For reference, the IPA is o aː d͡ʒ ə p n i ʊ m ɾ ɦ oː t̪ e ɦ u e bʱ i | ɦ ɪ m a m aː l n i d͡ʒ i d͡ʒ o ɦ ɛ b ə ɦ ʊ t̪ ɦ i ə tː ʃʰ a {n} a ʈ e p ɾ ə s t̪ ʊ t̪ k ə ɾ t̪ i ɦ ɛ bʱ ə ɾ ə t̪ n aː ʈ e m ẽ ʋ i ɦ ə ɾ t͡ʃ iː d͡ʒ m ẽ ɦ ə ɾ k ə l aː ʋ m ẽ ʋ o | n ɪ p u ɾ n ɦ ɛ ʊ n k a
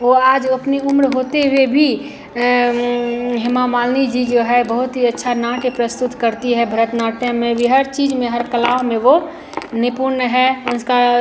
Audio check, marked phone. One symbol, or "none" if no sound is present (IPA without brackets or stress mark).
n